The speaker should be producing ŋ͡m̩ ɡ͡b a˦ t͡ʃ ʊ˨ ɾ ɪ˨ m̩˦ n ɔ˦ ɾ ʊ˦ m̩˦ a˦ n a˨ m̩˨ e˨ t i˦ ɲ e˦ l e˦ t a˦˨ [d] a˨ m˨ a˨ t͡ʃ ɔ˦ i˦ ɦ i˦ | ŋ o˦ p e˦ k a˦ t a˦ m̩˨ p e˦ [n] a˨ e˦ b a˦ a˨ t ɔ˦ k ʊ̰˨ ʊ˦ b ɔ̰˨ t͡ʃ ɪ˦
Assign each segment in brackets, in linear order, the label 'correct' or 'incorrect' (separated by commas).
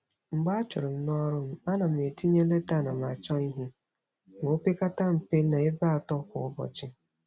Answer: incorrect, correct